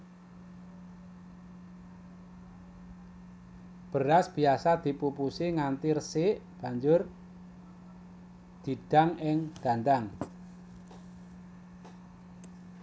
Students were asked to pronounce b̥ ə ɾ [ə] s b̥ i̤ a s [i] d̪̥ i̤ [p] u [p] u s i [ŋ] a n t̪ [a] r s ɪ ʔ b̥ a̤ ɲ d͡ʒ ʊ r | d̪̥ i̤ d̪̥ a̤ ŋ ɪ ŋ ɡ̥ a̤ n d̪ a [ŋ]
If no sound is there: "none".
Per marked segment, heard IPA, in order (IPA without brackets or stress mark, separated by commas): a, a, p, p, ŋ, i, ŋ